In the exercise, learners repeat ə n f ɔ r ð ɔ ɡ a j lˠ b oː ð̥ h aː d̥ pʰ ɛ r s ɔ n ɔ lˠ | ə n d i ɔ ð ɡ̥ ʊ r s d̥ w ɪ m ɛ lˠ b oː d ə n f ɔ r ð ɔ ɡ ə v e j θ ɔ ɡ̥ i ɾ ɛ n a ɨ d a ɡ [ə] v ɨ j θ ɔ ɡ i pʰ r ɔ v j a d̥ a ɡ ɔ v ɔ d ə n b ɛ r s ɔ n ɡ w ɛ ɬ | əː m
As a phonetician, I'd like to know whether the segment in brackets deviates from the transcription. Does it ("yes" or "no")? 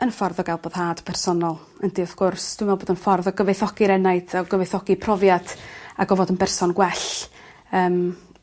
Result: no